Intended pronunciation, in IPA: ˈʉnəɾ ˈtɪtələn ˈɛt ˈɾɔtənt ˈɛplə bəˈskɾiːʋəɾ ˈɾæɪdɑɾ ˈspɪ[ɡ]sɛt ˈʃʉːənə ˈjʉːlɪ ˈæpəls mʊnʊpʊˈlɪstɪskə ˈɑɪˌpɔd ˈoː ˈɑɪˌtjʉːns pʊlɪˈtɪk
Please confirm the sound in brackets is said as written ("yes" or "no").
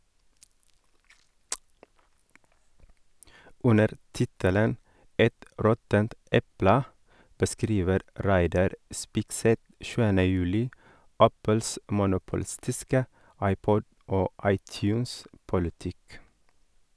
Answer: yes